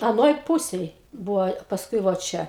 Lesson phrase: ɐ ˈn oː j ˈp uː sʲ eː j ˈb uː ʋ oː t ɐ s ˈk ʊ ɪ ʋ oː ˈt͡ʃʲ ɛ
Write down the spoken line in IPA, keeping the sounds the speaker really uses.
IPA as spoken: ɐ ˈn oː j ˈp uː sʲ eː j ˈb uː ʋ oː p ɐ s ˈk ʊ ɪ ʋ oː ˈt͡ʃʲ ɛ